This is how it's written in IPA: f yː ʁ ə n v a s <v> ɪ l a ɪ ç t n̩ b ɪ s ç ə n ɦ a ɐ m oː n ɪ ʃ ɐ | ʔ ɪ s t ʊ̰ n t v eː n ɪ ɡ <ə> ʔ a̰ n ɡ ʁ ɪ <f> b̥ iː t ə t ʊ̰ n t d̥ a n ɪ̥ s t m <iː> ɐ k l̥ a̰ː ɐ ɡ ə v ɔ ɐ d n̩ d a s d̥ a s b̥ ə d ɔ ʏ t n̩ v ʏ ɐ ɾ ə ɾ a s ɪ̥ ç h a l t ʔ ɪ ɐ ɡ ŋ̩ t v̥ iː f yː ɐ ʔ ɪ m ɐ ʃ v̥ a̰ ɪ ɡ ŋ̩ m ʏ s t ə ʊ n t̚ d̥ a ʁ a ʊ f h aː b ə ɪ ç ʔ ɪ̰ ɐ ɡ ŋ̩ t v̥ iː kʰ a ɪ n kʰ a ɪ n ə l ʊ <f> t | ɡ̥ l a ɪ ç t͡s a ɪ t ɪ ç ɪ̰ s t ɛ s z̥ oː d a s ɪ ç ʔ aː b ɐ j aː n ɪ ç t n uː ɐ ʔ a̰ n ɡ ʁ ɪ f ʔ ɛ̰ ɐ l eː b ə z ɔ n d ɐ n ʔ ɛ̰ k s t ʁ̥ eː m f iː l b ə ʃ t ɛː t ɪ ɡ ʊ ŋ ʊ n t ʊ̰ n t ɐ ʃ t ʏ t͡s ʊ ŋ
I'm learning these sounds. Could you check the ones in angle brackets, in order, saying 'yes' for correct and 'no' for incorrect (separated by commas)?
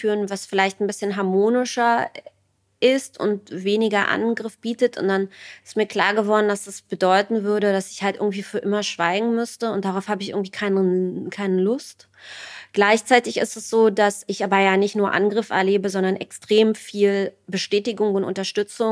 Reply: no, no, yes, yes, no